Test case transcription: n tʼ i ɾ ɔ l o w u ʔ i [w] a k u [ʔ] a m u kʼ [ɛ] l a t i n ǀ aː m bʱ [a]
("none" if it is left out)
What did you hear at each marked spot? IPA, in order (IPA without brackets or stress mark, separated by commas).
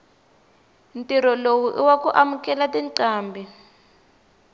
w, ʔ, ɛ, i